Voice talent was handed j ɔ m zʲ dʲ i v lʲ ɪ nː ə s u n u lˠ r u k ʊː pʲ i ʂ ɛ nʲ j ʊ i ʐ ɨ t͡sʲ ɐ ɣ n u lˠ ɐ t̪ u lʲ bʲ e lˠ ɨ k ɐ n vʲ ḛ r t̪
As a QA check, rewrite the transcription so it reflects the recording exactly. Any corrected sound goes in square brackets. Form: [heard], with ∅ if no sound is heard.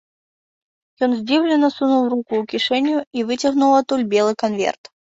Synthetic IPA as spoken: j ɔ [n] zʲ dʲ i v lʲ ɪ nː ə s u n u lˠ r u k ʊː [kʲ] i ʂ ɛ nʲ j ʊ i [v] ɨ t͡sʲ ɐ ɣ n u lˠ ɐ t̪ u lʲ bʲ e lˠ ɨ k ɐ n vʲ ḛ r t̪